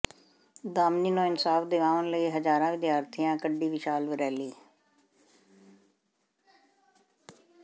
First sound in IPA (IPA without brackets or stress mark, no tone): d̪